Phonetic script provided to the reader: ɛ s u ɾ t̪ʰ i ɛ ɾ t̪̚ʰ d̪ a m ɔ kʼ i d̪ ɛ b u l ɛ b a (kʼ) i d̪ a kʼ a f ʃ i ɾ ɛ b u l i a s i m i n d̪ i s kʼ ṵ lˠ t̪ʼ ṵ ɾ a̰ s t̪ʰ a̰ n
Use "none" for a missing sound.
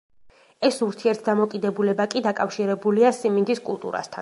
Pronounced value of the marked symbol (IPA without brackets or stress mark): kʼ